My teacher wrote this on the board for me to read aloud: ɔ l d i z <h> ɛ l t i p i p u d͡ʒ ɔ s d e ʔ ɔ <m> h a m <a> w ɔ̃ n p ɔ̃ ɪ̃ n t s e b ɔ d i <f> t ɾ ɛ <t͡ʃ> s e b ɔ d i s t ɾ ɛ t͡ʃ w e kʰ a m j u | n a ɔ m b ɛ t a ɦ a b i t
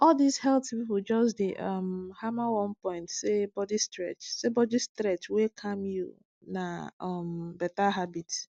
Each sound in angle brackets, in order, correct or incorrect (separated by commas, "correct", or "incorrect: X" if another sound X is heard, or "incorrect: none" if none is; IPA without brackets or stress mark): correct, correct, correct, incorrect: s, correct